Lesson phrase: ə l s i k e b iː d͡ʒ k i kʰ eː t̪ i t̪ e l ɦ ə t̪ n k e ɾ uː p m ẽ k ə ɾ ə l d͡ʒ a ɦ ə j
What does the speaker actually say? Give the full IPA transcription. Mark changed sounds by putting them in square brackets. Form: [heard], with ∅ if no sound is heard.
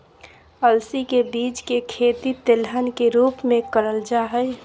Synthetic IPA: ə l s i k e b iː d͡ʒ k [e] kʰ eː t̪ i t̪ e l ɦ ə [∅] n k e ɾ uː p m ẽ k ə ɾ ə l d͡ʒ a ɦ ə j